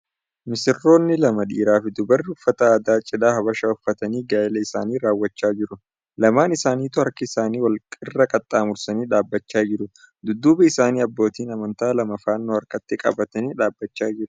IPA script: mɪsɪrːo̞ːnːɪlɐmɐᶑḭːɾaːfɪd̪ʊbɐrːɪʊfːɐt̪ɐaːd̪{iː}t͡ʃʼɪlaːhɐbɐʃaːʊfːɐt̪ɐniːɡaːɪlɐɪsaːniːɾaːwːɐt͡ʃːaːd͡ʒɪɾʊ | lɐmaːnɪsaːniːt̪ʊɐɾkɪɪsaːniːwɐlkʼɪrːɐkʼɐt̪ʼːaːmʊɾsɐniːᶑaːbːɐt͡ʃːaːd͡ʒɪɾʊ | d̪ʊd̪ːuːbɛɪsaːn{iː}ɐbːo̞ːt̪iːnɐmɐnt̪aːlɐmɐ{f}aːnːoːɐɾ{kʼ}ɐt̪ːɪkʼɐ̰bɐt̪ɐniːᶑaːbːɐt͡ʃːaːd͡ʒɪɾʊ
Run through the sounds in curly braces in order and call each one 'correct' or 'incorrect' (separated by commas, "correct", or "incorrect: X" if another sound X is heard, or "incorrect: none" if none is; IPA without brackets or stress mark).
incorrect: aː, correct, correct, incorrect: k